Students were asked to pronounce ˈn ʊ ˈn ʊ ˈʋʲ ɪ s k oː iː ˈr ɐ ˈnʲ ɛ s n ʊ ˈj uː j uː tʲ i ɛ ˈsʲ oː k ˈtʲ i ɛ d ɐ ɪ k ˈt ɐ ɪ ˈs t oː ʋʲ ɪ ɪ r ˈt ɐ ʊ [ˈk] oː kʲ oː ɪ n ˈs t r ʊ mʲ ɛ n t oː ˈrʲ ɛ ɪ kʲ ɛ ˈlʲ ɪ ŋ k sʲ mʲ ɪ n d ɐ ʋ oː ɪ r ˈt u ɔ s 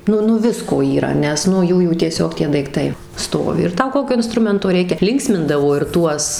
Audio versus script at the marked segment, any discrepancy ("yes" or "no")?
no